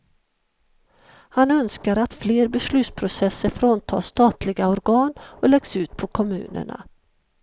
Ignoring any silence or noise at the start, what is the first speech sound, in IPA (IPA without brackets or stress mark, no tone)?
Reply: h